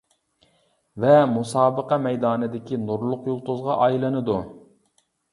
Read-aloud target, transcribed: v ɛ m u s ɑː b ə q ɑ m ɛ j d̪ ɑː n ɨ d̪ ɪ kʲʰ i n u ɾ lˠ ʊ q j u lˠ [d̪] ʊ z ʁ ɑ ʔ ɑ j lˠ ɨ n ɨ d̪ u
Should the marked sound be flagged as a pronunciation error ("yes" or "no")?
yes